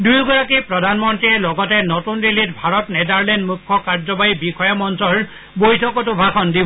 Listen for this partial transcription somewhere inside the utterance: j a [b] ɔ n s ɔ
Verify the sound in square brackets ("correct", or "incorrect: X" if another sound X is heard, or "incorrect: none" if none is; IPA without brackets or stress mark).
incorrect: m